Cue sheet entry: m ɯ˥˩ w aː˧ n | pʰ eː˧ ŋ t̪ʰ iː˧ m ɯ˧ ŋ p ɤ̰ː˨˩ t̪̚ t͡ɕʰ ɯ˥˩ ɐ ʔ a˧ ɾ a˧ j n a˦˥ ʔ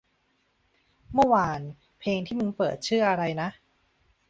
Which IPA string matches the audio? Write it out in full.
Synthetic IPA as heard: m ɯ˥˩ w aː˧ n | pʰ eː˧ ŋ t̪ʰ iː˥˩ m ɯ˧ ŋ p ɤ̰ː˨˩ t̪̚ t͡ɕʰ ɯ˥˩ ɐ ʔ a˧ ɾ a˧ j n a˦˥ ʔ